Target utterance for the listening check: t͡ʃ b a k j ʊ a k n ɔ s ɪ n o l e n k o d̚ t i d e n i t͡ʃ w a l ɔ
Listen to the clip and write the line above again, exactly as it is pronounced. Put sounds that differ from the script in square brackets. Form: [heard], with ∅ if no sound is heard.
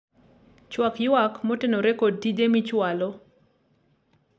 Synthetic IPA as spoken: t͡ʃ [w] a k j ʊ a k [m] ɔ [t] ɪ n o [ɾ] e [∅] k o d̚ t i d e [m] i t͡ʃ w a l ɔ